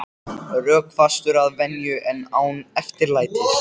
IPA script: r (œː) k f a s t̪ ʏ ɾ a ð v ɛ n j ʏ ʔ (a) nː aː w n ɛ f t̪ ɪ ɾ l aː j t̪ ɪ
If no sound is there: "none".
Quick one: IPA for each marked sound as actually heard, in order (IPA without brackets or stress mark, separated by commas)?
œː, ɛ